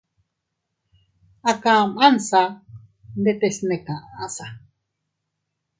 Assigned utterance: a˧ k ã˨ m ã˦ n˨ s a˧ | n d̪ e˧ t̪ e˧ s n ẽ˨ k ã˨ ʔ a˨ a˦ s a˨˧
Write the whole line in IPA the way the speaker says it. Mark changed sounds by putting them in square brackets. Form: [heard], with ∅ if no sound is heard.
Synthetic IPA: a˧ k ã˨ m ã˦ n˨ s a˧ | n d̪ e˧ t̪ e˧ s n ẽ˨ k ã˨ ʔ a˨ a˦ s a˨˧

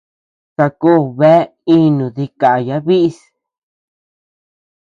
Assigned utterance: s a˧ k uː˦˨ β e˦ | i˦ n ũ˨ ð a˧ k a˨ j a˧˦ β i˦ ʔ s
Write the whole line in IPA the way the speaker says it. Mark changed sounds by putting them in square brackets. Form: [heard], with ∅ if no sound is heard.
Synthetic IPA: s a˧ k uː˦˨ β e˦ | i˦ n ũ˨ ð [i˧] k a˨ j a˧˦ β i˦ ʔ s

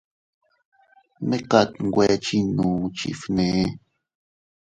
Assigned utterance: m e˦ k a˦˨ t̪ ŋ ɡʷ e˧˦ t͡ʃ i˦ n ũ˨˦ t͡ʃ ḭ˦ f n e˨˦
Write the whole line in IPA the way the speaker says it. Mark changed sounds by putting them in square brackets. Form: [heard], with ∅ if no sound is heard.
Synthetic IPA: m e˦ k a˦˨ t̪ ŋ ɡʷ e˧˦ t͡ʃ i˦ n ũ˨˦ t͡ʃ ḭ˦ f n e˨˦

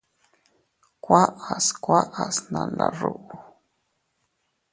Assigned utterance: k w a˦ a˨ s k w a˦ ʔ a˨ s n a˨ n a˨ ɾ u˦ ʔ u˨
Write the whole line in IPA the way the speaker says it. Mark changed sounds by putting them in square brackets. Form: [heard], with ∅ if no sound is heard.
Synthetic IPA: k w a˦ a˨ s k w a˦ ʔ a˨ s n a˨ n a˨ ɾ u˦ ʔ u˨

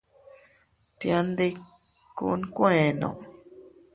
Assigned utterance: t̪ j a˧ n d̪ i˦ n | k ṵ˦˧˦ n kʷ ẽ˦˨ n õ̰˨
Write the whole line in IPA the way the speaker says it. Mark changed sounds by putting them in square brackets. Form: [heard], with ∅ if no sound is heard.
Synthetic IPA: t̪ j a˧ n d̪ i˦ [∅] | k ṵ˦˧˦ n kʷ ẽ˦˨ n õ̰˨

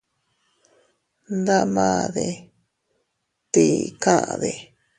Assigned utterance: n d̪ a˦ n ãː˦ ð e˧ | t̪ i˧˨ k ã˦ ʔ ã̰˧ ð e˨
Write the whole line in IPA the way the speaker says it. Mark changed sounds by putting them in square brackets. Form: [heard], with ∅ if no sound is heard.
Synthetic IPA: n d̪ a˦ [m] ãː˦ ð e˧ | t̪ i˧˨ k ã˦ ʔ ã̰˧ ð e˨

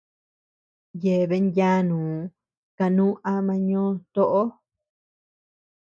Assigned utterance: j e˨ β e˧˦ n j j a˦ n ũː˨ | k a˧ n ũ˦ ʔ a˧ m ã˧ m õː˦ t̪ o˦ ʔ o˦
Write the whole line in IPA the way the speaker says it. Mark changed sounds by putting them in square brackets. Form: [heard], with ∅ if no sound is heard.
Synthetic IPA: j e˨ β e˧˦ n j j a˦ n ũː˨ | k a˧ n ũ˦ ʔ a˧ m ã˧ [ɲ] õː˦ t̪ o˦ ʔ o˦

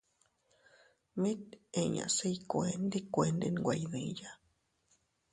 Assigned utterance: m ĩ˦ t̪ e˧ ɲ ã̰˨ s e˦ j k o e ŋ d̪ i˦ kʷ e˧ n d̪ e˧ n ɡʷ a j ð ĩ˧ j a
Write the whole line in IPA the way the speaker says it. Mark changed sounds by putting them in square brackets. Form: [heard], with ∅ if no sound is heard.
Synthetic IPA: m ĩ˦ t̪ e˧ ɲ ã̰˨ s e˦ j k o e [n] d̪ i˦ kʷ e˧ n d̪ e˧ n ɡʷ a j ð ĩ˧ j a

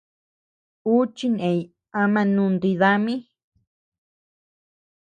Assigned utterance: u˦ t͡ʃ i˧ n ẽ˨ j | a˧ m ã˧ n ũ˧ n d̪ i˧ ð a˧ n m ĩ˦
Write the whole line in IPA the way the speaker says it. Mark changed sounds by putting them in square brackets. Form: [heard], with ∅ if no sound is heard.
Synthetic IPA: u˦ t͡ʃ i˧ n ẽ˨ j | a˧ m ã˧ n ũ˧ n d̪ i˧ ð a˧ [∅] m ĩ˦

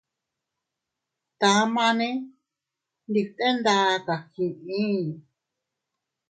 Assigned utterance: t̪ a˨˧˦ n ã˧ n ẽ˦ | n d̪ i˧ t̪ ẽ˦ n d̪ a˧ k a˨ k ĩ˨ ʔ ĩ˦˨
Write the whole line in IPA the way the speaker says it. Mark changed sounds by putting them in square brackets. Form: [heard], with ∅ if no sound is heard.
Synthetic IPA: t̪ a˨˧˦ [m] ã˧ n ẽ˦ | n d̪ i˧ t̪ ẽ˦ n d̪ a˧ k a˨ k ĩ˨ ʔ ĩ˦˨

